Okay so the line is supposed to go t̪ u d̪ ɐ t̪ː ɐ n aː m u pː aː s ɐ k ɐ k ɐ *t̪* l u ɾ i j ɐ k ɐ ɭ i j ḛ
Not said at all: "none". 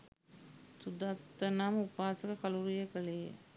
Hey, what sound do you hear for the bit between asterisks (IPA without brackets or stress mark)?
none